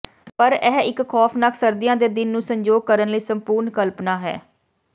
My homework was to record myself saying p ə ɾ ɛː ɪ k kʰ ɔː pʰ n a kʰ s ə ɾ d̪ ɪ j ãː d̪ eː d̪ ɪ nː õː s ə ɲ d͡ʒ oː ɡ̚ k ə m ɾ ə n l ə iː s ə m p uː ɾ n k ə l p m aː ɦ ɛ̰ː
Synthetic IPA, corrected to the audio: p ə ɾ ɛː ɪ k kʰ ɔː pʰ n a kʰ s ə ɾ d̪ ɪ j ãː d̪ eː d̪ ɪ nː ũː s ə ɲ d͡ʒ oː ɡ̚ k ə ɾ ə n l ə iː s ə m p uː ɾ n k ə l p n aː ɦ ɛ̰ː